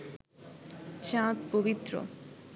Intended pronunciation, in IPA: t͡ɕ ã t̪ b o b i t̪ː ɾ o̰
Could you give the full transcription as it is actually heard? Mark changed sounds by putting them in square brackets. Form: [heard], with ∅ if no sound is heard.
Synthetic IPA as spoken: t͡ɕ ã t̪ [p] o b i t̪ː ɾ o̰